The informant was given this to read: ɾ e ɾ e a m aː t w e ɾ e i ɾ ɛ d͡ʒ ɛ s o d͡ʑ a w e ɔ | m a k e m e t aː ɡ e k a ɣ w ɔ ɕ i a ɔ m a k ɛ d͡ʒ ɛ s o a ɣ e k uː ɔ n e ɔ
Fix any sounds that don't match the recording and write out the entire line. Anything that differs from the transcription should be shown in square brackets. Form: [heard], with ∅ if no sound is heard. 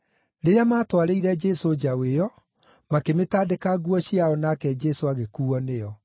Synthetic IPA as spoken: ɾ e ɾ e a m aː t w [a] ɾ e i ɾ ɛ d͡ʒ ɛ s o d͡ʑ a w e ɔ | m a k e m e t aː [d] e k a ɣ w ɔ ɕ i a ɔ [n] a k ɛ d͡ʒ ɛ s o a ɣ e k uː ɔ n e ɔ